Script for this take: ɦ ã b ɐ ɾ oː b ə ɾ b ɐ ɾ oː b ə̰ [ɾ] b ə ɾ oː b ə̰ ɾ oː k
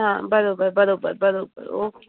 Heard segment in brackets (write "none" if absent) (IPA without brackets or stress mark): ɾ